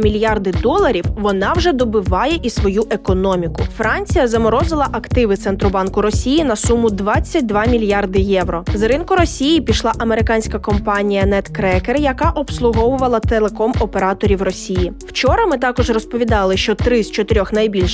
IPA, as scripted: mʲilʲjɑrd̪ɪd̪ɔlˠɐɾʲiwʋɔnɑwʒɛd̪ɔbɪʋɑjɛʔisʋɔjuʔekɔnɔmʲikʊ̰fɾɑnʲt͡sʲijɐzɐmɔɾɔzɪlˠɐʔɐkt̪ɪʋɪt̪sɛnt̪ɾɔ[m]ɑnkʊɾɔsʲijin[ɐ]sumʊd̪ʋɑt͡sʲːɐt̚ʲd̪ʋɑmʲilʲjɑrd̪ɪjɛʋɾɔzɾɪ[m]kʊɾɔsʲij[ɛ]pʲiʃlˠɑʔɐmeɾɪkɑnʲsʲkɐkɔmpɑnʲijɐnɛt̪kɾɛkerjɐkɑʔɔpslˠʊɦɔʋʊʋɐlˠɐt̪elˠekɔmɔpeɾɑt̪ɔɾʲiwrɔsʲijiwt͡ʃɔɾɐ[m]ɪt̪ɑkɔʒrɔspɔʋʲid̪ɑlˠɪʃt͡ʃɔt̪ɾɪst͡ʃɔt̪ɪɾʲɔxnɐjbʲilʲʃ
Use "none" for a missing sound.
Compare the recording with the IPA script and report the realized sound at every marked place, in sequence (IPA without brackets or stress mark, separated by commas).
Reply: b, ɐ, n, i, m